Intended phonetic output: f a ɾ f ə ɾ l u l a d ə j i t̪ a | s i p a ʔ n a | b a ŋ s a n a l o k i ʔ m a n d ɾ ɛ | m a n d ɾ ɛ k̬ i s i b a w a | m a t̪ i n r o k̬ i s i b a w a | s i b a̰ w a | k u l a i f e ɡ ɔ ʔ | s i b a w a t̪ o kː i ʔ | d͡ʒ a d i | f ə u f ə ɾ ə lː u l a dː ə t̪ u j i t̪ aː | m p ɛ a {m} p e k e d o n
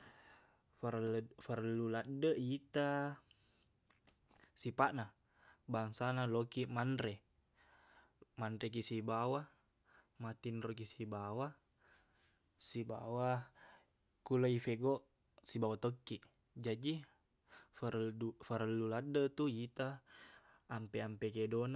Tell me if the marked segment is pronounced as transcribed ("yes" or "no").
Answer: yes